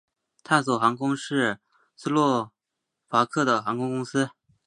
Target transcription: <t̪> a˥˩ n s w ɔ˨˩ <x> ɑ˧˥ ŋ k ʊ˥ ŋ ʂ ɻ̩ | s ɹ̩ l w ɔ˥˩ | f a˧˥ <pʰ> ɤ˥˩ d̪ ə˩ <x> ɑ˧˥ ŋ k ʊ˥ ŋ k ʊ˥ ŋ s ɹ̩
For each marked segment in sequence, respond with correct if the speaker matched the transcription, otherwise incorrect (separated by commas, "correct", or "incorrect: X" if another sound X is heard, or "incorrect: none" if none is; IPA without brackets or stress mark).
incorrect: t̪ʰ, correct, incorrect: kʰ, correct